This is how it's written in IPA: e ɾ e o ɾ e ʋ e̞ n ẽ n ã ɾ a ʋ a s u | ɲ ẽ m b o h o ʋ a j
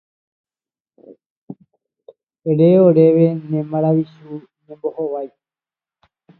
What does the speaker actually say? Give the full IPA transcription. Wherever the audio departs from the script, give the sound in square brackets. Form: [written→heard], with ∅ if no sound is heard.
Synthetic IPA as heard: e ɾ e o ɾ e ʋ e̞ n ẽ [n→m] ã ɾ a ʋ [a→i] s u | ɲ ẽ m b o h o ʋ a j